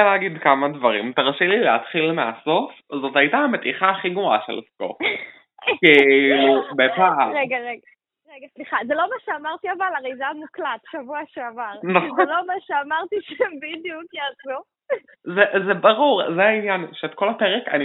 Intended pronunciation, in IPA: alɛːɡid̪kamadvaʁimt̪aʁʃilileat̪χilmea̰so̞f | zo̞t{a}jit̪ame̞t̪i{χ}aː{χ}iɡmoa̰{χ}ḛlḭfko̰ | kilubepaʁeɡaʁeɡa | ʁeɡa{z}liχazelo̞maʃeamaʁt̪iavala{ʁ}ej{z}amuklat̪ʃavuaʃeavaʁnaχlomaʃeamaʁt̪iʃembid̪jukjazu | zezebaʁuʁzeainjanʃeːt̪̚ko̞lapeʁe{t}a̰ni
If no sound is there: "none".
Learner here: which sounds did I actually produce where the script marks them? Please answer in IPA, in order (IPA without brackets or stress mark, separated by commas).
a, χ, χ, ʃ, s, ʁ, z, k